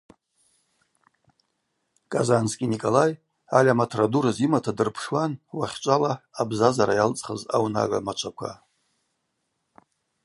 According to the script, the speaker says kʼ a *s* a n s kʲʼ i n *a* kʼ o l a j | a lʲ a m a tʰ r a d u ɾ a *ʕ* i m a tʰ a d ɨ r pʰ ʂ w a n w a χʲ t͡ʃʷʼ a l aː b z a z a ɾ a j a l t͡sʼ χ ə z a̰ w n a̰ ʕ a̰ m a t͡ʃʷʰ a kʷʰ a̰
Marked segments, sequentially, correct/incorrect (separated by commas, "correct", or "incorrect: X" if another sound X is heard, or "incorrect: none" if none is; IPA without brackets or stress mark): incorrect: z, incorrect: i, incorrect: z